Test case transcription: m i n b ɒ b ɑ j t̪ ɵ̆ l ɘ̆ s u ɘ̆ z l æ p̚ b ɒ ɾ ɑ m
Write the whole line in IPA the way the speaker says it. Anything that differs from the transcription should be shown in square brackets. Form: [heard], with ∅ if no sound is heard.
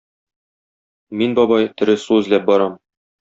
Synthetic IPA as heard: m i n b ɒ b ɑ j t̪ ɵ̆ [ɾ] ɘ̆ s u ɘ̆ z l æ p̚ b ɒ ɾ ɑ m